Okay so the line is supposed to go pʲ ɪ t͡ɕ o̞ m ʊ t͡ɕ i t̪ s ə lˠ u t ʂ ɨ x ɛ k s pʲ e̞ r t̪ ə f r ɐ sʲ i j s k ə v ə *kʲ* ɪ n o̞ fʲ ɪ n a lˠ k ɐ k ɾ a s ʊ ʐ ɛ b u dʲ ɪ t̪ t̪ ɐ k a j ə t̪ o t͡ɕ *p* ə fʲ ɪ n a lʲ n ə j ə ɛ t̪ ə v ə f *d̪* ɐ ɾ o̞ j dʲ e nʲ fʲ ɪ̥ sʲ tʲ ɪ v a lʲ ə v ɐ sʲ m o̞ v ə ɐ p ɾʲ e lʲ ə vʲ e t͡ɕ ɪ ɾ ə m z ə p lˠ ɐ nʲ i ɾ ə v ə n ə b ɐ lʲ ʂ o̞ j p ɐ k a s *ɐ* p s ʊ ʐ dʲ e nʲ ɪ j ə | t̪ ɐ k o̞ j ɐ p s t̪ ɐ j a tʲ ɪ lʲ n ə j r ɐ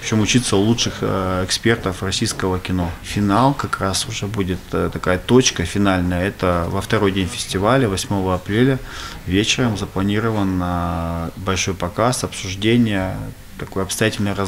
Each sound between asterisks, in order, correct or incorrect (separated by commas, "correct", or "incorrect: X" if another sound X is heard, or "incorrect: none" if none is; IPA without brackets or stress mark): correct, incorrect: k, incorrect: t̪, correct